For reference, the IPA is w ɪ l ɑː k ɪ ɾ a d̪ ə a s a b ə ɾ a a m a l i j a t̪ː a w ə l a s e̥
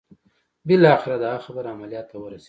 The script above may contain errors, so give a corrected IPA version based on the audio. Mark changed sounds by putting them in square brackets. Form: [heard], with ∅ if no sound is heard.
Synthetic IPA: [b] ɪ l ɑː [x] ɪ ɾ a d̪ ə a [x] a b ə ɾ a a m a l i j [ɑ] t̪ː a w ə [ɾ] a s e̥